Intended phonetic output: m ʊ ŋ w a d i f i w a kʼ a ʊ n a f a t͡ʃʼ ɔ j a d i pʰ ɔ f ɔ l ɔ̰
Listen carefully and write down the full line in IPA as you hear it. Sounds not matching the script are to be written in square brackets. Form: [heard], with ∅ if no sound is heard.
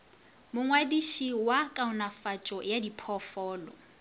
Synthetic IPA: m ʊ ŋ w a d i [ʃ] i w a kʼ a ʊ n a f a t͡ʃʼ ɔ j a d i pʰ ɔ f [ɔː] l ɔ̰